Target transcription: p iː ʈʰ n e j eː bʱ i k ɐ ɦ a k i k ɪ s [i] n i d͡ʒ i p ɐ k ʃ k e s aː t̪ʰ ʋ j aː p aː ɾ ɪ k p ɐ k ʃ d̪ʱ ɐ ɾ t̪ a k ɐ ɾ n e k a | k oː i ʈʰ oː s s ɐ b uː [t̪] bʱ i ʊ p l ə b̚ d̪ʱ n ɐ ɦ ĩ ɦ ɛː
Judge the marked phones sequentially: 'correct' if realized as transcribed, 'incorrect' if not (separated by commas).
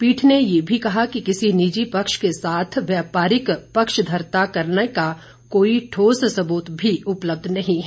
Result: correct, correct